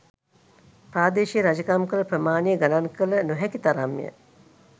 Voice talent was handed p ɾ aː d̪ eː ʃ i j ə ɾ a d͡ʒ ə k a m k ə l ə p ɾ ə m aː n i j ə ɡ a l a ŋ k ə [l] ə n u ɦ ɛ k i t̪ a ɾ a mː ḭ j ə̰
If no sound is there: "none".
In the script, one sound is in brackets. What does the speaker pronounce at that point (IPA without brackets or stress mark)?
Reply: l